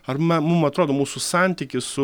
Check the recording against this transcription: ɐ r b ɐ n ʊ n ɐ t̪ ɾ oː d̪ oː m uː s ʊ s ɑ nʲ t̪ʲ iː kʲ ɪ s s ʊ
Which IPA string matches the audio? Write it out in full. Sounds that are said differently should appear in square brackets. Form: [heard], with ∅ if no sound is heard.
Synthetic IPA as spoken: ɐ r [m] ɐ [m] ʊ [m] ɐ t̪ ɾ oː d̪ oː m uː s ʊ s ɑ nʲ t̪ʲ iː kʲ ɪ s s ʊ